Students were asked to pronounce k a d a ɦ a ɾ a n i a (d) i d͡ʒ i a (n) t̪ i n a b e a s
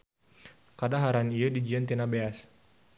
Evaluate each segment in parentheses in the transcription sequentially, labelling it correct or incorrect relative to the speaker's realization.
correct, correct

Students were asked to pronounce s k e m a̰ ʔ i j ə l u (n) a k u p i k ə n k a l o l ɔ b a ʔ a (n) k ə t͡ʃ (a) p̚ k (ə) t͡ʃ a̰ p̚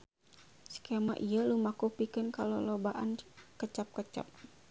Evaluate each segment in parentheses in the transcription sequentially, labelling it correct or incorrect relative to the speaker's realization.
incorrect: m, correct, correct, correct

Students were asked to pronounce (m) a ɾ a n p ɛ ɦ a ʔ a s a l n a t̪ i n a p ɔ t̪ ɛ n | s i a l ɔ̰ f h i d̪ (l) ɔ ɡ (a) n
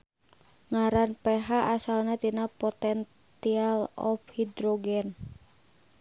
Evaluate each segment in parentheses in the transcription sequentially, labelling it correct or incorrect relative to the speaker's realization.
incorrect: ŋ, incorrect: ɾ, incorrect: ɛ

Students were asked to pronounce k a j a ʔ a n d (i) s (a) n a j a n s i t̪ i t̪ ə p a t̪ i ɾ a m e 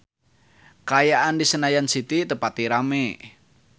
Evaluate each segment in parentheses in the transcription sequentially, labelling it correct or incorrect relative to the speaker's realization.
correct, incorrect: ə

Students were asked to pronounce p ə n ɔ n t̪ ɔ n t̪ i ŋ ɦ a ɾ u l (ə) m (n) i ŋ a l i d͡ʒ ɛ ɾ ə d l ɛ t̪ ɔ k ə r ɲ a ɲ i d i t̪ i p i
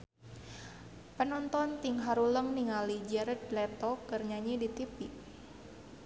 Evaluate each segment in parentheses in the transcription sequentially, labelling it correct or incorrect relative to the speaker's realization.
correct, correct

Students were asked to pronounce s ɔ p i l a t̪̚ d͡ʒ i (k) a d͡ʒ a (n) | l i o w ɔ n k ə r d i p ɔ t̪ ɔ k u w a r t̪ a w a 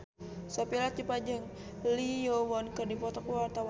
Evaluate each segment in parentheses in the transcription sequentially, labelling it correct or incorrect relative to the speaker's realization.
incorrect: p, incorrect: ŋ

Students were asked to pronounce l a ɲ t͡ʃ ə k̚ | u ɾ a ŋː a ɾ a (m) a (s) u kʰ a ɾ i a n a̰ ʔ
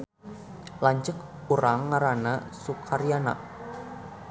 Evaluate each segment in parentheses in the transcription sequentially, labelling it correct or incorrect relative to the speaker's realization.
incorrect: n, correct

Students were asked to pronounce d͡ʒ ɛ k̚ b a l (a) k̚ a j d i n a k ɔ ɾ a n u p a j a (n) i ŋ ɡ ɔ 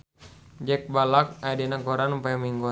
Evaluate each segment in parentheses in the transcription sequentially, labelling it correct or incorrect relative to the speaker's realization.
correct, incorrect: m

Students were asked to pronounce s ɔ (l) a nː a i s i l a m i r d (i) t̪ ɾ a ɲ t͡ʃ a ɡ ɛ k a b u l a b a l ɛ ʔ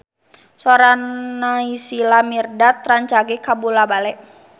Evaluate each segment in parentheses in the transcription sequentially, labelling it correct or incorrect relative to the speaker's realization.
incorrect: ɾ, incorrect: a

